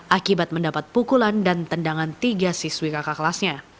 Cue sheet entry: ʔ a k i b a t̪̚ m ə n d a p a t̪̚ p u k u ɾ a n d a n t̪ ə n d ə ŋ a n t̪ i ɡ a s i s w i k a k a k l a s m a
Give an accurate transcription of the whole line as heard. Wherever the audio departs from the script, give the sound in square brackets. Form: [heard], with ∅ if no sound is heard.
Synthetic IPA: ʔ a k i b a t̪̚ m ə n d a p a t̪̚ p u k u [l] a n d a n t̪ ə n d [a] ŋ a n t̪ i ɡ a s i s w i k a k a k l a s [ɲ] a